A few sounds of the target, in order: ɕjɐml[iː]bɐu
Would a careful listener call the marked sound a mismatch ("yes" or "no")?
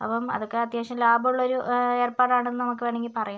yes